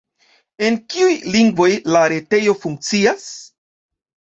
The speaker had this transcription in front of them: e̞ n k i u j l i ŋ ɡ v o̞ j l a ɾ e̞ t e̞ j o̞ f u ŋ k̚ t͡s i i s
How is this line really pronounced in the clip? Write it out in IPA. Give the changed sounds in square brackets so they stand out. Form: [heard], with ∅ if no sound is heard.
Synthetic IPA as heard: e̞ n k i u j l i ŋ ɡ v o̞ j l a ɾ e̞ t e̞ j o̞ f u ŋ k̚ t͡s i [a] s